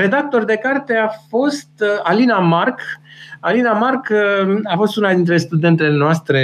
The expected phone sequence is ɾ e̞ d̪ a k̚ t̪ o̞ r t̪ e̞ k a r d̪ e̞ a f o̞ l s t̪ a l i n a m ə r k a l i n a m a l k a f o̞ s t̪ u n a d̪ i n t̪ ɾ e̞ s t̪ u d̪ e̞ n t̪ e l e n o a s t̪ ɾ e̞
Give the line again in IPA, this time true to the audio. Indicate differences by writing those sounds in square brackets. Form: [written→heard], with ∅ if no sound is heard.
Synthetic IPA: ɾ e̞ d̪ a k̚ t̪ o̞ r [t̪→d̪] e̞ k a r [d̪→t̪] e̞ a f o̞ [l→∅] s t̪ a l i n a m [ə→a] r k a l i n a m a [l→r] k a f o̞ s t̪ u n a d̪ i n t̪ ɾ e̞ s t̪ u d̪ e̞ n t̪ e l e n o a s t̪ ɾ e̞